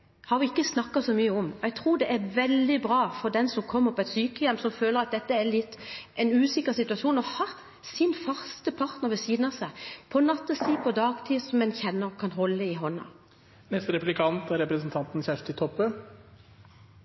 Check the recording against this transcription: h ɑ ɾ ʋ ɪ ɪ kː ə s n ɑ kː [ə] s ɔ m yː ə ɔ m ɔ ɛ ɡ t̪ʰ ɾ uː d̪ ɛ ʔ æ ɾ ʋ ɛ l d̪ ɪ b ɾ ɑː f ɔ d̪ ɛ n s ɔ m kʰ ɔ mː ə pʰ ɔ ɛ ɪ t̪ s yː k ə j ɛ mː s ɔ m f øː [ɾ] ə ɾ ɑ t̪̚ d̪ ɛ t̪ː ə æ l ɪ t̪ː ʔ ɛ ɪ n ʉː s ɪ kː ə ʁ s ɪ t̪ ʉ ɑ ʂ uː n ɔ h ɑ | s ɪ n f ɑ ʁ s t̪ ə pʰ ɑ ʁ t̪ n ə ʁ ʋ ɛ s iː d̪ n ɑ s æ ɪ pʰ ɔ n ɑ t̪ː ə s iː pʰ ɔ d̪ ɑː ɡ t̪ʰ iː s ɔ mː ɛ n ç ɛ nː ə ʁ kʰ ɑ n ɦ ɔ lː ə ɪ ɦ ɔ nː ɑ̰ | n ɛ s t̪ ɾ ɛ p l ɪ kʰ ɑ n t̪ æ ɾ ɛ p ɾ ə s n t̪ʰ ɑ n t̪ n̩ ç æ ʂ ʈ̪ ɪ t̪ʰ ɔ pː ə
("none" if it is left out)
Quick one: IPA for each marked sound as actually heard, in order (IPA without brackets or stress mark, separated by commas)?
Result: ɑ, l